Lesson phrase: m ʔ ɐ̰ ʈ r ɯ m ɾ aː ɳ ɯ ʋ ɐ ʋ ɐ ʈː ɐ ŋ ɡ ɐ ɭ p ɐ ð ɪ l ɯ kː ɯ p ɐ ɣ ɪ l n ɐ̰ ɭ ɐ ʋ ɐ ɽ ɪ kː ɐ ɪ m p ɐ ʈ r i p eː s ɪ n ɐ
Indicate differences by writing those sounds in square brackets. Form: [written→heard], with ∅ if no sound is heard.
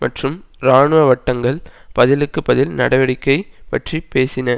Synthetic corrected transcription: m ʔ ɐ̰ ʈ r ɯ m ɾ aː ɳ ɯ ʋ ɐ ʋ ɐ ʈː ɐ ŋ ɡ ɐ ɭ p ɐ ð ɪ l ɯ kː ɯ p ɐ [ɣ→ð] ɪ l n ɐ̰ [ɭ→ɽ] ɐ ʋ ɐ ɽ ɪ kː ɐ ɪ [m→∅] p ɐ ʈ r i p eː s ɪ n ɐ